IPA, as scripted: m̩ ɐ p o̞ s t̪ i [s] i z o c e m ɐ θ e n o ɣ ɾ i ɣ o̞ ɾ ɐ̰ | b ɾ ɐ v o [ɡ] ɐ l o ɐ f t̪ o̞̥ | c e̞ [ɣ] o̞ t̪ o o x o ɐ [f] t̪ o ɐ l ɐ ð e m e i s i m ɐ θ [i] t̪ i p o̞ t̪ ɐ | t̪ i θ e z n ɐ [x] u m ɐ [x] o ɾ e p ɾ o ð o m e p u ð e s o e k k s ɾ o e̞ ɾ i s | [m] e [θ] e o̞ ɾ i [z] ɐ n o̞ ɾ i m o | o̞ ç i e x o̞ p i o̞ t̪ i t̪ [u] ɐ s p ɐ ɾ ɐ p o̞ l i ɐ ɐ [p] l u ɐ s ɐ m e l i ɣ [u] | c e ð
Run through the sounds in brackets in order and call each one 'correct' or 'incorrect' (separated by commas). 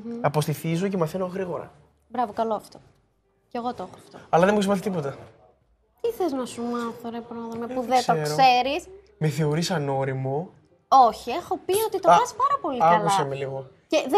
incorrect, incorrect, correct, correct, correct, incorrect, incorrect, correct, correct, incorrect, incorrect, incorrect, incorrect